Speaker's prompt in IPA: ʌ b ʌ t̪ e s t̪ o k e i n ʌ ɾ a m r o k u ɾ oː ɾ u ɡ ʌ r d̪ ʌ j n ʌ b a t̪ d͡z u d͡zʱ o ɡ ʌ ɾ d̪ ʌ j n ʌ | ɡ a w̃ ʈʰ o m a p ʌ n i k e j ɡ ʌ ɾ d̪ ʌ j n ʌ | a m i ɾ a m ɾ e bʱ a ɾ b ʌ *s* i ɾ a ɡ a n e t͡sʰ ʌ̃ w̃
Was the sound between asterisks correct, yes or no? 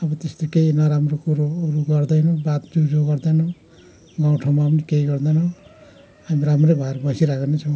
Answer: yes